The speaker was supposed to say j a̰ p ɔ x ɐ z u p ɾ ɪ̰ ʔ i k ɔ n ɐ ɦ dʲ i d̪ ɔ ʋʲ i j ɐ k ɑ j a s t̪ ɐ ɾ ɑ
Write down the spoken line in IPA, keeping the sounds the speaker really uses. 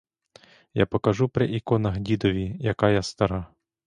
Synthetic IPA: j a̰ p ɔ k ɐ ʒ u p ɾ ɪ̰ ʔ i k ɔ n ɐ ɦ dʲ i d̪ ɔ ʋʲ i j ɐ k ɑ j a s t̪ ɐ ɾ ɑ